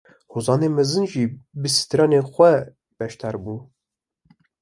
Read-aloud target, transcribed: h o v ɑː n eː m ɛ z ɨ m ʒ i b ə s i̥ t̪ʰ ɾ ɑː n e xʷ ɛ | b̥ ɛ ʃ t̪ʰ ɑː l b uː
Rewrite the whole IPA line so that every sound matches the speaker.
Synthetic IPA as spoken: h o z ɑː n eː m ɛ z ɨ n ʒ i b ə s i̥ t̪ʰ ɾ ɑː n e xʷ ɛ | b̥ ɛ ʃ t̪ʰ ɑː ɾ b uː